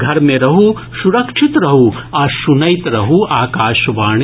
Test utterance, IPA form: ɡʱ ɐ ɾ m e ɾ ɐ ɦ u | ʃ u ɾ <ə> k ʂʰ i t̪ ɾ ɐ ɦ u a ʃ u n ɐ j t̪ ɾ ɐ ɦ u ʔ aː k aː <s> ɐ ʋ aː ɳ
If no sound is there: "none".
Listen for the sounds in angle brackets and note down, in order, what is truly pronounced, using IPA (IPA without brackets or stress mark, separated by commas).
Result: ɐ, ʃ